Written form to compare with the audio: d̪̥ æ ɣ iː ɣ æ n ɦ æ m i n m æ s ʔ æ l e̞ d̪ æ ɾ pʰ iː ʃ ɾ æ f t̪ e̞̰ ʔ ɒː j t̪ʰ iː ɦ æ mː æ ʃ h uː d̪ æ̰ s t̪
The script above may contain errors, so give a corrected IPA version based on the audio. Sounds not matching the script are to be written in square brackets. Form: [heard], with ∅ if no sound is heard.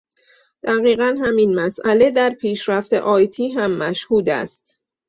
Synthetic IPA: d̪̥ æ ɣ iː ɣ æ n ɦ æ m i n m æ s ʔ æ l e̞ d̪ æ ɾ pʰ iː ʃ ɾ æ f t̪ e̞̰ ʔ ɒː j t̪ʰ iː ɦ æ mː æ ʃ h uː d̪ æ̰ s t̪